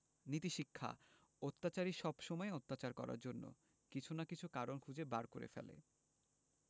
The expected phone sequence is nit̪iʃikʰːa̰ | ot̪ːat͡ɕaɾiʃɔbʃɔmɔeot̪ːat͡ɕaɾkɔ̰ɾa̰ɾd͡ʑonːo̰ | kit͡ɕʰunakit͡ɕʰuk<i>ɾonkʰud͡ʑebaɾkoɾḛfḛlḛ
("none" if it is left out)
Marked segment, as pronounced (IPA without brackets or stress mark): a